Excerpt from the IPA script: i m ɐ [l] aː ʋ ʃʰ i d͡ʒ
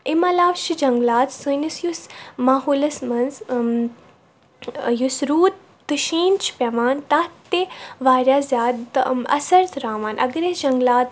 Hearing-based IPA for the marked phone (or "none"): l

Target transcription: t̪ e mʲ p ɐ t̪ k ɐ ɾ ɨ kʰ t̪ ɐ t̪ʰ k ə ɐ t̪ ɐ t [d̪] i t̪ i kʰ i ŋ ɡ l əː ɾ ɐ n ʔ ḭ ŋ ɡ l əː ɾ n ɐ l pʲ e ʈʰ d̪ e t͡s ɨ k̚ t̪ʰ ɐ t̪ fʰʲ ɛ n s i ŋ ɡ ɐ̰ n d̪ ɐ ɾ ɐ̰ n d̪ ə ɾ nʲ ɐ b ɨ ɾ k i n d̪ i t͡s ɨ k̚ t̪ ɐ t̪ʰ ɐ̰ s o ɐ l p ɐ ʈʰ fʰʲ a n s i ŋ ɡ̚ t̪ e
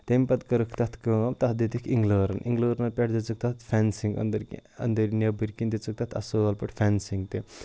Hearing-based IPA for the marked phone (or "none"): d̪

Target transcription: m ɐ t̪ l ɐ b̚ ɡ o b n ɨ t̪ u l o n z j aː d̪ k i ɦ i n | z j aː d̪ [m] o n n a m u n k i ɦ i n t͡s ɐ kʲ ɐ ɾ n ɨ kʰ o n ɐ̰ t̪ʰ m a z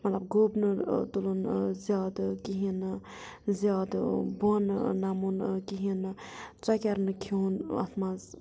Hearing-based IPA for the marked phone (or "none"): b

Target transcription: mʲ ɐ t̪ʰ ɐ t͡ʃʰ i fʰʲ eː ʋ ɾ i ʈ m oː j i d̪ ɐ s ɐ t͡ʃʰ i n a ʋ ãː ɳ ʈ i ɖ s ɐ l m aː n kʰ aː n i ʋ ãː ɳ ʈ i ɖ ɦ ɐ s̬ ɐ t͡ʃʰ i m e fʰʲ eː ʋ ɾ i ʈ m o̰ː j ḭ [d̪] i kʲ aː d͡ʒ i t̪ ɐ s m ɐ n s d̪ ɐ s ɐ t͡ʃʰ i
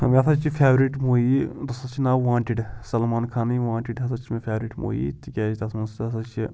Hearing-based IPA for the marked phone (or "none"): t̪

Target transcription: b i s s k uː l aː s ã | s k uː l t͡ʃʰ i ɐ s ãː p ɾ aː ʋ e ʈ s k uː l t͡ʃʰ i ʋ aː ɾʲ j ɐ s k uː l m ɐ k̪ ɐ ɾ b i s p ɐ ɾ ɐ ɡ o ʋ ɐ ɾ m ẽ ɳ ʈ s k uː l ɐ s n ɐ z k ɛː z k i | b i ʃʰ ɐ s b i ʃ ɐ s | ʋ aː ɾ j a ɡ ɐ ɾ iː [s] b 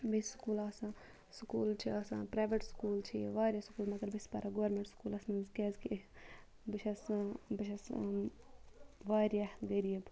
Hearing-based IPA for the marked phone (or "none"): none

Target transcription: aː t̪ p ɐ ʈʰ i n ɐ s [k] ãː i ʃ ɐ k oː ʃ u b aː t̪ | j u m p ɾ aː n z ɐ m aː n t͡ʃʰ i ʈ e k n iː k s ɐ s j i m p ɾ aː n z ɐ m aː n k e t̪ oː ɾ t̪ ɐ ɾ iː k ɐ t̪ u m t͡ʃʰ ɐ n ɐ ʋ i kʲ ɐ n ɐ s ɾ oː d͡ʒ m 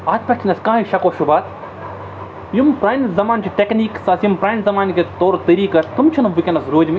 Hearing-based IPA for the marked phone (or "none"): k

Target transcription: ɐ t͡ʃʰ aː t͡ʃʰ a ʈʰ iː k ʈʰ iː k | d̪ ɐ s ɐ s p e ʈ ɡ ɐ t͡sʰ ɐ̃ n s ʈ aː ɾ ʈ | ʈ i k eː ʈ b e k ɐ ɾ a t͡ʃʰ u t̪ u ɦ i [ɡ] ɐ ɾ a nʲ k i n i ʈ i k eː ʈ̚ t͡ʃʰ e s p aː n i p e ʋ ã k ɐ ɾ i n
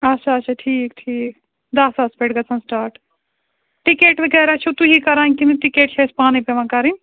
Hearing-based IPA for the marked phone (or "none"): k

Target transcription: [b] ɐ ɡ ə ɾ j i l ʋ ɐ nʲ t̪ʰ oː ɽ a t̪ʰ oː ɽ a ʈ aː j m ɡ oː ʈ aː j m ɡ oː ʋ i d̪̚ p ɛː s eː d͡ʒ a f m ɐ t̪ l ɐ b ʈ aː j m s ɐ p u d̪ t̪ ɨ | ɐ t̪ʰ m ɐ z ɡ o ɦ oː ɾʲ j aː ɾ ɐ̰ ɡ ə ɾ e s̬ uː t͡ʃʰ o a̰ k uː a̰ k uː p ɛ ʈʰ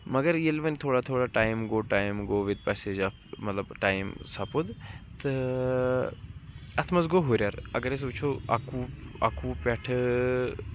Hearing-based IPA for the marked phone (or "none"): m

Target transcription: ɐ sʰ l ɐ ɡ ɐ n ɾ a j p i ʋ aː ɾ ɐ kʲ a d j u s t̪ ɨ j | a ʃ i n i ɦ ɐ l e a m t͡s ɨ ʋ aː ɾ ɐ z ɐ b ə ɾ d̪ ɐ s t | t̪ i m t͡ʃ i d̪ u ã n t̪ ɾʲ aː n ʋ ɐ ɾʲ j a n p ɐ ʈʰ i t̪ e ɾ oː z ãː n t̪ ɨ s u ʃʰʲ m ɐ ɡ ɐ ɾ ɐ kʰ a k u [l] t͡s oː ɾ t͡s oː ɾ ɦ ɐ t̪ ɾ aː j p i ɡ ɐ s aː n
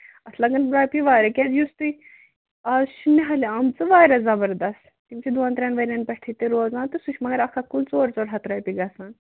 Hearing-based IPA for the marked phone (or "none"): l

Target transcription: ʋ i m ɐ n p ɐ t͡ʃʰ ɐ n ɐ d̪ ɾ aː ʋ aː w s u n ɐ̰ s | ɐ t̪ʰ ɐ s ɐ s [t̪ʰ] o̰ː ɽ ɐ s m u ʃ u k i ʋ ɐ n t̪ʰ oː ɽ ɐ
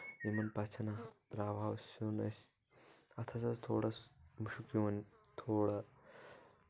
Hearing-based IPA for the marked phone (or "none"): t̪ʰ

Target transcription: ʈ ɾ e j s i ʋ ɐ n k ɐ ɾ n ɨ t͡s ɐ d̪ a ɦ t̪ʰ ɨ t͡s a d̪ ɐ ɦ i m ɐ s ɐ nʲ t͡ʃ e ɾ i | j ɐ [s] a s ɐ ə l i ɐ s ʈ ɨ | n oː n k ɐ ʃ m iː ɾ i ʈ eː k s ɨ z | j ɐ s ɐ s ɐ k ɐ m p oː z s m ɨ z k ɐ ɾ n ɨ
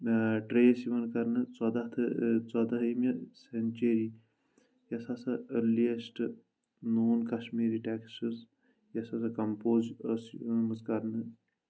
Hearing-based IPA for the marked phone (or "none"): s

